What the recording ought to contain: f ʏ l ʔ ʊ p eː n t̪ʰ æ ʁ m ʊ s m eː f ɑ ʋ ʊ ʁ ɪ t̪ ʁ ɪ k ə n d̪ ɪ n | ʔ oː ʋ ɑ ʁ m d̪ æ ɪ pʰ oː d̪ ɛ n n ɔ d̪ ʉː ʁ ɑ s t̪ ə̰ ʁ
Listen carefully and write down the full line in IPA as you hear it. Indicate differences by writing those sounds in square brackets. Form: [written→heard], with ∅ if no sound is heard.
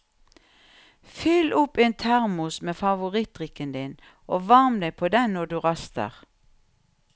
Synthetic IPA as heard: f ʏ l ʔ ʊ p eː n t̪ʰ æ ʁ m ʊ s m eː f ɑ ʋ ʊ ʁ ɪ t̪ ʁ ɪ k ə n d̪ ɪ n | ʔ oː ʋ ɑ ʁ m d̪ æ ɪ pʰ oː d̪ ɛ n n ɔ d̪ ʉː ʁ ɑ s t̪ ə̰ ʁ